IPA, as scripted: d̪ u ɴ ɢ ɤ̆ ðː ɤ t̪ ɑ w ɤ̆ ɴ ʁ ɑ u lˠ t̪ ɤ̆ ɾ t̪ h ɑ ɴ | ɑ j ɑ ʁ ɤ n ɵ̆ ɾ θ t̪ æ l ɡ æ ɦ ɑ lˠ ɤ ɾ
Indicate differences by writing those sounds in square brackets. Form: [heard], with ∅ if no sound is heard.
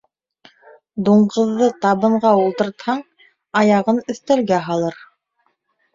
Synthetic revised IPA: d̪ u ɴ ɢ ɤ̆ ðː ɤ t̪ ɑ [β] ɤ̆ ɴ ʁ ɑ u lˠ t̪ ɤ̆ ɾ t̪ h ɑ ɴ | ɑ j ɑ ʁ ɤ n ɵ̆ [∅] θ t̪ æ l ɡ æ ɦ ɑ lˠ ɤ ɾ